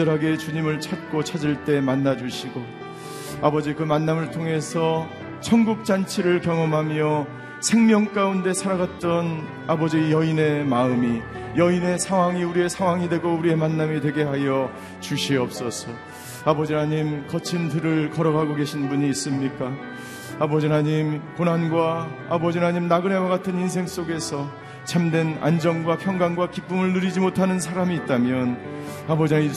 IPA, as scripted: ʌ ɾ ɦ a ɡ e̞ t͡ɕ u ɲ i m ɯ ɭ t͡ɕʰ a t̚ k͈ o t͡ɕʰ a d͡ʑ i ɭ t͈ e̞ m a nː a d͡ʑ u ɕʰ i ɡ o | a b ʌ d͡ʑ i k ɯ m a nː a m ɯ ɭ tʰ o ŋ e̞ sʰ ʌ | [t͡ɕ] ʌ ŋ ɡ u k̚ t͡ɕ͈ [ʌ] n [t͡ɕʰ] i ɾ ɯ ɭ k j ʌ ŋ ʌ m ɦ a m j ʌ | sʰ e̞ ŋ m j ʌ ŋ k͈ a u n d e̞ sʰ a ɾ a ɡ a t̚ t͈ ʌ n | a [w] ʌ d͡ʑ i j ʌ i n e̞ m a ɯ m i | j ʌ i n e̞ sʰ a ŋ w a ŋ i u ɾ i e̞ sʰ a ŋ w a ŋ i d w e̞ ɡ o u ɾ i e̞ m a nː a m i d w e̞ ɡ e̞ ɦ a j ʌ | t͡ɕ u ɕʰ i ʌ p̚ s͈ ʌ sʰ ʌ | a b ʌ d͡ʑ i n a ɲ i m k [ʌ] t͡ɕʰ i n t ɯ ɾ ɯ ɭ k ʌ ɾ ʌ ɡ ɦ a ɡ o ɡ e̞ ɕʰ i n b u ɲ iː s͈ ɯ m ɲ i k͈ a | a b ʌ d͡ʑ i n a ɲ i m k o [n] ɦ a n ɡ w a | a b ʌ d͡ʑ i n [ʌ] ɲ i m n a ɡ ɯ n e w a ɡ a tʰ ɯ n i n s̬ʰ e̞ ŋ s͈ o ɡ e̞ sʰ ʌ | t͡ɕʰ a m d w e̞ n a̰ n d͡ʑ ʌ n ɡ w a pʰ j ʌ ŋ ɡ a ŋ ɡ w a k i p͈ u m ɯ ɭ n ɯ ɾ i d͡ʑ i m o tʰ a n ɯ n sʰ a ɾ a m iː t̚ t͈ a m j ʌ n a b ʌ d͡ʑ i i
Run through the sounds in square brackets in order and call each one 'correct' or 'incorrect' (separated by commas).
incorrect, incorrect, correct, incorrect, correct, correct, incorrect